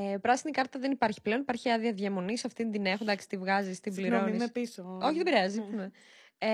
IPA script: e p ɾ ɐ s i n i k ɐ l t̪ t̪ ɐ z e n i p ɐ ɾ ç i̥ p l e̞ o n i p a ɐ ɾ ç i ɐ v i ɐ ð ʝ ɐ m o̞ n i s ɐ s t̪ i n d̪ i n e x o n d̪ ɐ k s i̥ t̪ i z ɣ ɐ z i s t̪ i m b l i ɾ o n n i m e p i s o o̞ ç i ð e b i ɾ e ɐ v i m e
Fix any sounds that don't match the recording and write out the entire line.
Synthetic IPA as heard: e p ɾ ɐ s i n i k ɐ ɾ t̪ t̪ ɐ ð e n i p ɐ ɾ ç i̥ p l e̞ o n i p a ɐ ɾ ç i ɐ ð i ɐ ð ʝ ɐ m o̞ n i s ɐ f t̪ i n d̪ i n e x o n d̪ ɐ k s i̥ t̪ i v ɣ ɐ z i s t̪ i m b l i ɾ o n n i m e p i s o o̞ ç i ð e b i ɾ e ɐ z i m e